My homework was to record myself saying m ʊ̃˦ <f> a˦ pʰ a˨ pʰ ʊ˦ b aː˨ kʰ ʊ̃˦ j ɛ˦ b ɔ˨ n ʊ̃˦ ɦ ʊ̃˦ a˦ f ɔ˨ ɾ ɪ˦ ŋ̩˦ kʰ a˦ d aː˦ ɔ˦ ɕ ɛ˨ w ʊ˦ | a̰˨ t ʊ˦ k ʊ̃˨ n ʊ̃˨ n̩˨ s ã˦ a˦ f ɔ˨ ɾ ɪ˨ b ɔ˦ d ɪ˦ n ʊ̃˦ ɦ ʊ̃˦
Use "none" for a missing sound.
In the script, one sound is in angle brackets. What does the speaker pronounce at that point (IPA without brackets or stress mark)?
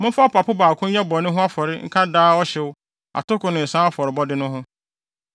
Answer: f